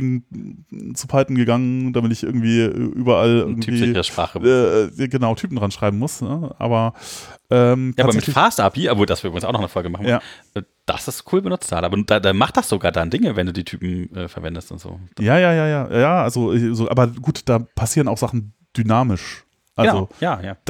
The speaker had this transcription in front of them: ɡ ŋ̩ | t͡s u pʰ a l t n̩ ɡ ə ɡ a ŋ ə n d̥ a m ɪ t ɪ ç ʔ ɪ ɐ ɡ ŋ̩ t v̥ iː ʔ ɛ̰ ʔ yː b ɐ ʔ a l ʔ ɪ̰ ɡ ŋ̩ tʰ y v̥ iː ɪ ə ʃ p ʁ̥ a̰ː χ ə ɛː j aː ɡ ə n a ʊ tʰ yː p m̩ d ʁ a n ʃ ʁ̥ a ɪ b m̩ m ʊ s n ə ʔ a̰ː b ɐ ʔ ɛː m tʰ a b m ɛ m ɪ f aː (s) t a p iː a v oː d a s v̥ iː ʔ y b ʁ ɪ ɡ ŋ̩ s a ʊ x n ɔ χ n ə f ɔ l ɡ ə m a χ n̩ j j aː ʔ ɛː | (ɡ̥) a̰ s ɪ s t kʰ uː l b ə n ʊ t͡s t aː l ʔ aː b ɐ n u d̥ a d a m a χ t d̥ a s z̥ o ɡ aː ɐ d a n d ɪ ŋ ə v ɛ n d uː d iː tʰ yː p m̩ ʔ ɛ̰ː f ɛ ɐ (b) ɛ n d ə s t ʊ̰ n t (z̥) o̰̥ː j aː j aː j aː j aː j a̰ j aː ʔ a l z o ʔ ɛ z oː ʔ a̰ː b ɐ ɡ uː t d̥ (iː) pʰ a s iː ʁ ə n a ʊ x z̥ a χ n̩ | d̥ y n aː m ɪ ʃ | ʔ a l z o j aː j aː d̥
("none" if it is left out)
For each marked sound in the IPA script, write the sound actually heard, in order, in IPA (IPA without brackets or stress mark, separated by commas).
s, d̥, v, z̥, aː